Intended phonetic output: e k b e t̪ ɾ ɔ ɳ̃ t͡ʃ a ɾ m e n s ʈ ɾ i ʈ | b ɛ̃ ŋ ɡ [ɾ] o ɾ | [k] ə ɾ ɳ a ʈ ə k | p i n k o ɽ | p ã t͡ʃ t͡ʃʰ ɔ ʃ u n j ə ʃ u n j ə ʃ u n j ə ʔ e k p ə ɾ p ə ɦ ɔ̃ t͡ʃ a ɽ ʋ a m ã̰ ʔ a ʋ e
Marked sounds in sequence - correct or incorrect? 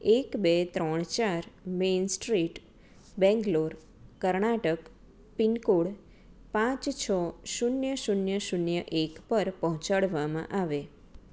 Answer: incorrect: l, correct

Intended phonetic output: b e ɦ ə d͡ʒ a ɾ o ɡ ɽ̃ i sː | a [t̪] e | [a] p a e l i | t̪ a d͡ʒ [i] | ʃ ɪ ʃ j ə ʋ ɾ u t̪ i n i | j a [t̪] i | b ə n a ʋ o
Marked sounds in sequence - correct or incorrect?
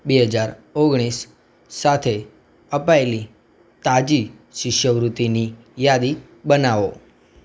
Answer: incorrect: t̪ʰ, incorrect: ə, correct, incorrect: d̪

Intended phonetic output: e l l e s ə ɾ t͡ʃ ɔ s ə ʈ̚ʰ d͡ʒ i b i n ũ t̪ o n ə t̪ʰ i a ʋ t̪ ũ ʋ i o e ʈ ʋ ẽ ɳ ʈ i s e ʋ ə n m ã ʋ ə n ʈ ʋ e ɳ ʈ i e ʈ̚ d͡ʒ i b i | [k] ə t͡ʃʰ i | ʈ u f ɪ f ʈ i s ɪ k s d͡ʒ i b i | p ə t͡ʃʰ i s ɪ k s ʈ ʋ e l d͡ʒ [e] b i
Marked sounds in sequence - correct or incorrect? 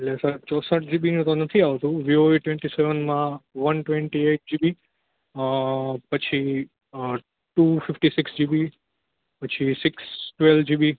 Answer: incorrect: p, incorrect: i

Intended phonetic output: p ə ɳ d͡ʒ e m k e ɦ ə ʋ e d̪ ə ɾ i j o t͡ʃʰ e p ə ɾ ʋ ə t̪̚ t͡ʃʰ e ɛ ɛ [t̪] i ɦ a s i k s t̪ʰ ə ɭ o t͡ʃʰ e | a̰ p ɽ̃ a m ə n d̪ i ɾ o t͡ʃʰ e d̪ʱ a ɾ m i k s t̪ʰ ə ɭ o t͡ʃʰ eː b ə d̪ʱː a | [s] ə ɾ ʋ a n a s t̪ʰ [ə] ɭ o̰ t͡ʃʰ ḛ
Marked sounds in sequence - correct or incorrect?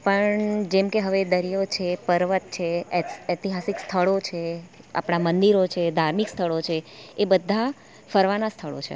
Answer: correct, incorrect: f, correct

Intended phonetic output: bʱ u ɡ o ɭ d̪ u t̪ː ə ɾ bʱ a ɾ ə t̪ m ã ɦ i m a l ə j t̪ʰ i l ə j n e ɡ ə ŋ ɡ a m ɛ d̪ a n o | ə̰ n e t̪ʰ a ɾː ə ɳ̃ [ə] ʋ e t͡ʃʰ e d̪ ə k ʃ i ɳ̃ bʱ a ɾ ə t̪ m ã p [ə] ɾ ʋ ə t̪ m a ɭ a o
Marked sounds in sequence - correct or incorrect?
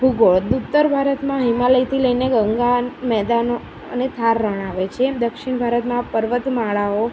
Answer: incorrect: a, correct

